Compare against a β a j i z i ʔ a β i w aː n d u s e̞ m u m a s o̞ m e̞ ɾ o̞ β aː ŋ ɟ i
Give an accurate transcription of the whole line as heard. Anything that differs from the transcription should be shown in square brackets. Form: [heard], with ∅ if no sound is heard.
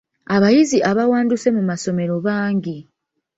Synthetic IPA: a β a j i z i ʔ a β [a] w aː n d u s e̞ m u m a s o̞ m e̞ ɾ o̞ β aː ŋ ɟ i